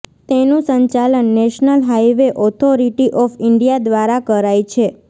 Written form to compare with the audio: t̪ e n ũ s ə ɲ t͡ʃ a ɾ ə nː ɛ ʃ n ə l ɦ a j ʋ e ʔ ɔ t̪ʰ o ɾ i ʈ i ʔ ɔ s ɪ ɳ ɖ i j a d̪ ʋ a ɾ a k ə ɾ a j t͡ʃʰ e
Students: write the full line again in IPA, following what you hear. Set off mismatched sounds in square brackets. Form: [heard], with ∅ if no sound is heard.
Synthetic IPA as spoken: t̪ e n ũ s ə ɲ t͡ʃ a [l] ə nː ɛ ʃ n ə l ɦ a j ʋ e ʔ ɔ t̪ʰ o ɾ i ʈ i ʔ ɔ [f] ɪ ɳ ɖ i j a d̪ ʋ a ɾ a k ə ɾ a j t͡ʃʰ e